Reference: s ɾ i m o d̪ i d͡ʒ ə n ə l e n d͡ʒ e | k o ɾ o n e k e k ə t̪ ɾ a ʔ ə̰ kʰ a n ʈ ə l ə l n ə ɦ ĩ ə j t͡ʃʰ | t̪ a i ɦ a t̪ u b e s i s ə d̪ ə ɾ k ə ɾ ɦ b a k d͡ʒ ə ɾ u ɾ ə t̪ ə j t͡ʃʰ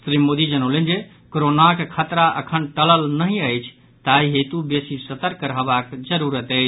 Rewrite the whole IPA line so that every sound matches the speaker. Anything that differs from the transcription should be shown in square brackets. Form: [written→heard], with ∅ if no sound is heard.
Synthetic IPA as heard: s ɾ i m o d̪ i d͡ʒ ə n ə l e n d͡ʒ e | k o ɾ o n [e→a] k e [k→kʰ] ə t̪ ɾ a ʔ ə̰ kʰ [a→ə] n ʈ ə l ə l n ə ɦ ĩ ə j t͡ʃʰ | t̪ a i ɦ [a→e] t̪ u b e s i s ə [d̪→t̪] ə ɾ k ə ɾ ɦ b a k d͡ʒ ə ɾ u ɾ ə t̪ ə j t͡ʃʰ